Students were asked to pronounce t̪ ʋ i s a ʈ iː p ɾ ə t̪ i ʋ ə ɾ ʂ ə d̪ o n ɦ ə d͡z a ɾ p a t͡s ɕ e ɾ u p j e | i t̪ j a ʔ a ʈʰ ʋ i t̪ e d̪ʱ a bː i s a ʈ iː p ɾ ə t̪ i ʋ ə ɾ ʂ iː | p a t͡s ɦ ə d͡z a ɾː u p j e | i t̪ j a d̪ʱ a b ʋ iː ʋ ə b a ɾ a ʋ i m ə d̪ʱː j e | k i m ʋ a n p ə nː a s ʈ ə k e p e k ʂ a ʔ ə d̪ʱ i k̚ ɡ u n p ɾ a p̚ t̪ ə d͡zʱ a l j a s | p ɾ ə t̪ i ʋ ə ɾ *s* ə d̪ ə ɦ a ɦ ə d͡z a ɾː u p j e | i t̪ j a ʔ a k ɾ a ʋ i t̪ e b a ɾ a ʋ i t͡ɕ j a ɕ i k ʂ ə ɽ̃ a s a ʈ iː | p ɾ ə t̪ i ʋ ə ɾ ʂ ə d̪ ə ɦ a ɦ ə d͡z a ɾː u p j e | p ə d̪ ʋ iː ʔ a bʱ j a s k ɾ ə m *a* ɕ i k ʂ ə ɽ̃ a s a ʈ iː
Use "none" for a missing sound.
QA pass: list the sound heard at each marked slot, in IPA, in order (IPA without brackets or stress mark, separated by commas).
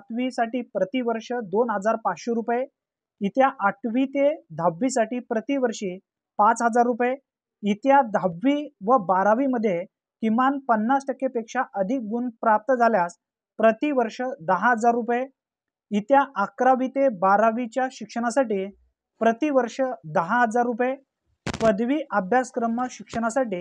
ʂ, ə